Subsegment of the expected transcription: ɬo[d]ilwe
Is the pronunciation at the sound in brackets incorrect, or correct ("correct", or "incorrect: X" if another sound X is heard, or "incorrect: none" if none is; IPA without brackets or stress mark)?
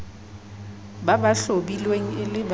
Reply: incorrect: b